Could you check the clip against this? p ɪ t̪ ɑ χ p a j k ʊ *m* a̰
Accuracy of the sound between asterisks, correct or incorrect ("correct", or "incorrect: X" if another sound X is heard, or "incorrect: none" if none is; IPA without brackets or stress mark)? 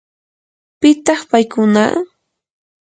incorrect: n